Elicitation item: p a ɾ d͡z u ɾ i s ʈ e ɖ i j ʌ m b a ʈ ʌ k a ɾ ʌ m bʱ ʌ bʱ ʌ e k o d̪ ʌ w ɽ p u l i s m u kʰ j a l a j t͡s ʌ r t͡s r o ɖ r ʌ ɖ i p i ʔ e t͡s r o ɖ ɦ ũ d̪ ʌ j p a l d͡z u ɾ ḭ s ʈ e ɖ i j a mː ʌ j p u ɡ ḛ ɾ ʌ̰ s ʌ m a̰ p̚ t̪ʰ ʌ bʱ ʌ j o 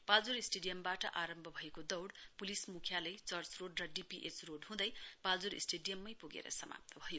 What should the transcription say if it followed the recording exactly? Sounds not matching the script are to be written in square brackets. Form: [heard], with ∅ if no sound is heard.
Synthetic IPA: p a [l] d͡z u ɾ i s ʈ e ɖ i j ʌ m b a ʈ ʌ [ʔ] a ɾ ʌ m bʱ ʌ bʱ ʌ e k o d̪ ʌ w ɽ p u l i s m u kʰ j a l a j t͡s ʌ r t͡s r o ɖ r ʌ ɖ i p i ʔ e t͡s r o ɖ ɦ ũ d̪ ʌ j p a l d͡z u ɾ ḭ s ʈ e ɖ i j [ʌ] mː ʌ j p u ɡ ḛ ɾ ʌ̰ s ʌ m a̰ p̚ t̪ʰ ʌ bʱ ʌ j o